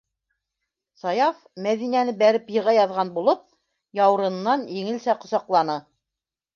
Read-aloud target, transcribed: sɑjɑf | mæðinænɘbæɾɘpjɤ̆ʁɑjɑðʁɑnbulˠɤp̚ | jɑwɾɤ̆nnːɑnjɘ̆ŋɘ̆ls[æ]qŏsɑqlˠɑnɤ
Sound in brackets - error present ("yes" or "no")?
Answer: no